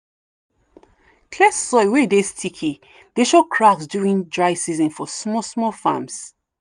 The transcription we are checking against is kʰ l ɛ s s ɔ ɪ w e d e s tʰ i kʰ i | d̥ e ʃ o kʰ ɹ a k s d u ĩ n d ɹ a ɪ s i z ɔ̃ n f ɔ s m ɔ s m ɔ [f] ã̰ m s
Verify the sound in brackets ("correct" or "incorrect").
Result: correct